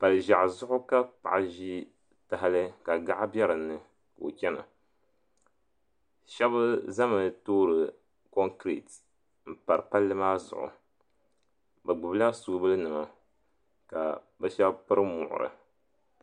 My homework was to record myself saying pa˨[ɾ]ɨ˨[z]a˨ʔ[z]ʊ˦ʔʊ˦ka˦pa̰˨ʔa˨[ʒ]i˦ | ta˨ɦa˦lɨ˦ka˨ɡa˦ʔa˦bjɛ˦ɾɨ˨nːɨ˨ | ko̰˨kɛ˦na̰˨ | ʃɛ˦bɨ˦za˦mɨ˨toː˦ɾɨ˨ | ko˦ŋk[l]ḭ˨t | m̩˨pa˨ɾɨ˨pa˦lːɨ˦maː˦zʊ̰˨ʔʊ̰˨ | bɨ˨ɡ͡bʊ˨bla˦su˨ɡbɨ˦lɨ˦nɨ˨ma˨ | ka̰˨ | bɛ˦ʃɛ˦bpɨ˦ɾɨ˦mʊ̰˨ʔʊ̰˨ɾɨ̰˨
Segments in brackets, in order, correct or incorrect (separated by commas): incorrect, incorrect, correct, correct, incorrect